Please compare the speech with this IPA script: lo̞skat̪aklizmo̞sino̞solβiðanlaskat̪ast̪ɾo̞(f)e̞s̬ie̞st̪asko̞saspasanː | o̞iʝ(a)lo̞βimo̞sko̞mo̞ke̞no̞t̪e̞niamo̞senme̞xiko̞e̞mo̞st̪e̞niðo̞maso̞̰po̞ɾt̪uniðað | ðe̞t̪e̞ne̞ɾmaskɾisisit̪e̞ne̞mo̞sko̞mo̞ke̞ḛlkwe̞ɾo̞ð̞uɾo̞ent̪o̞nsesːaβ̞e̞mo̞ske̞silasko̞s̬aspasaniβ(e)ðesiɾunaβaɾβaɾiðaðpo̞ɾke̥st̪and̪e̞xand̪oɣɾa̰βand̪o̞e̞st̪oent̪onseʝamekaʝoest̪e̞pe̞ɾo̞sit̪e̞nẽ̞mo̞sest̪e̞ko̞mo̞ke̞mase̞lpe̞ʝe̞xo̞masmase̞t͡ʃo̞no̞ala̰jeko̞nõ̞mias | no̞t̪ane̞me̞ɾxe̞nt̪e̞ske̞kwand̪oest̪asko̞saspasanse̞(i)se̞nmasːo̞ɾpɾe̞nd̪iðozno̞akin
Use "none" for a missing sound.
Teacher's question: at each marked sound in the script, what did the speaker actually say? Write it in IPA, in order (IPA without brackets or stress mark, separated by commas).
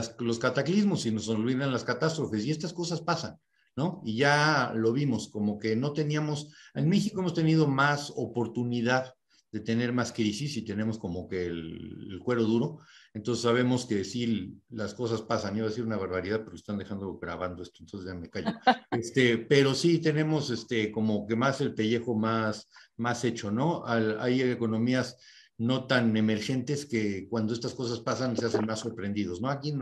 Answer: f, a, a, a